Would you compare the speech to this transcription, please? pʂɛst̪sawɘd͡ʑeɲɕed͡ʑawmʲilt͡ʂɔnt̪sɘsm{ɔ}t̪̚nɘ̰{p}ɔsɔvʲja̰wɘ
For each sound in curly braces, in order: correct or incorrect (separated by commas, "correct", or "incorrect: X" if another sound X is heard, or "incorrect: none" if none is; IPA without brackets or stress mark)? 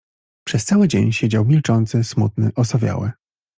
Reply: incorrect: u, incorrect: ʔ